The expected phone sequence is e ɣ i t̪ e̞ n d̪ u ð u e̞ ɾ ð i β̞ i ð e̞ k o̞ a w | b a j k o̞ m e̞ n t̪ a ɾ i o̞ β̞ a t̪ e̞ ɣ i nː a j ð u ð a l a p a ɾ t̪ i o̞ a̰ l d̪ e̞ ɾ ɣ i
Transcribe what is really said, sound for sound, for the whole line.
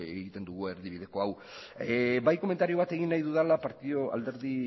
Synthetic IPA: e ɣ i t̪ e̞ n d̪ u ɣ u e̞ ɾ ð i β̞ i ð e̞ k o̞ a w | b a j k o̞ m e̞ n t̪ a ɾ i o̞ β̞ a t̪ e̞ ɣ i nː a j ð u ð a l a p a ɾ t̪ i o̞ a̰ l d̪ e̞ ɾ ð i